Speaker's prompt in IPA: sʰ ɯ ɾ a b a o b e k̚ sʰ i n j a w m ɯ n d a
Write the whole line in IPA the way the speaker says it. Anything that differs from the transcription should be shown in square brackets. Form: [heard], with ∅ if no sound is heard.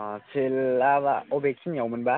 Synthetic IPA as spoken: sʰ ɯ [l] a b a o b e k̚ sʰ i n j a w m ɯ n [b] a